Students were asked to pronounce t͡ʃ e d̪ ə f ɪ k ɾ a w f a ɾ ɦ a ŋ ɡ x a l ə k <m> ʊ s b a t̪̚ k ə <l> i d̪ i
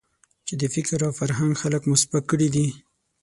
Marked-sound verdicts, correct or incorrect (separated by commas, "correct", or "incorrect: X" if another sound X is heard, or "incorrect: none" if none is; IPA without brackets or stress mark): correct, incorrect: ɽ